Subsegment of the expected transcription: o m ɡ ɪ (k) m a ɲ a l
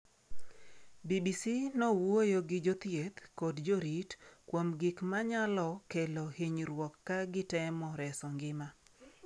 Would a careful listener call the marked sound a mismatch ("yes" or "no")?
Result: no